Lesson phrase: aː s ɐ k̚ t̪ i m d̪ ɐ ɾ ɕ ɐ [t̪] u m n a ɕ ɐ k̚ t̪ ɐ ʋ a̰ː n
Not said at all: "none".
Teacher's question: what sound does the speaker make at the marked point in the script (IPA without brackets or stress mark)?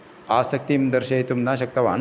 t̪